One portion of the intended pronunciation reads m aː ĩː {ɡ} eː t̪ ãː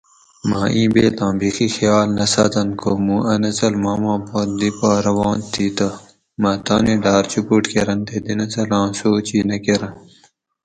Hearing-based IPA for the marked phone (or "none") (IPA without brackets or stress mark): b